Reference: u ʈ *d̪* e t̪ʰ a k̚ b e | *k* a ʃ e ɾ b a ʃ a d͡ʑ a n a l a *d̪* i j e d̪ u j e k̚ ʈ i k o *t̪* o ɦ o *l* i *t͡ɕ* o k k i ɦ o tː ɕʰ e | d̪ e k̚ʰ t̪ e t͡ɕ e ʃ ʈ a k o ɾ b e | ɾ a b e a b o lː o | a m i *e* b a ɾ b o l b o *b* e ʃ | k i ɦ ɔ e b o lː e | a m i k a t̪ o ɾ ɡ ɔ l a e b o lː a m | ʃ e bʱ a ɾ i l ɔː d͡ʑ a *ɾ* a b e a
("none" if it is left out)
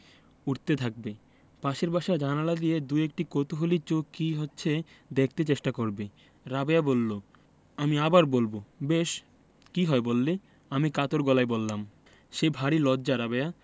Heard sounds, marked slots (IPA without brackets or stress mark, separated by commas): t̪, p, d̪, t̪, l, t͡ɕ, a, b, ɾ